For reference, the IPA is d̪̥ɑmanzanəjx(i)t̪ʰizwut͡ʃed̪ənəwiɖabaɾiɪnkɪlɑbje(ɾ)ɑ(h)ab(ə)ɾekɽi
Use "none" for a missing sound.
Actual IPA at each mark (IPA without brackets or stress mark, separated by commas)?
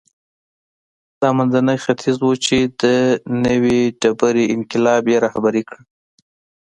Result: a, ɾ, h, a